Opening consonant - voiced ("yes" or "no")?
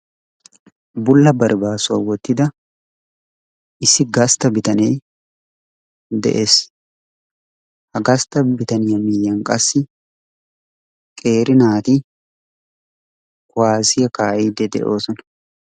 yes